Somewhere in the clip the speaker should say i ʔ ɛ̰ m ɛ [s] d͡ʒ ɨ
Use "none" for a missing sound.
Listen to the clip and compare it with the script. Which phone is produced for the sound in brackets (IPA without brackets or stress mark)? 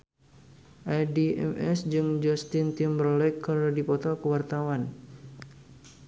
s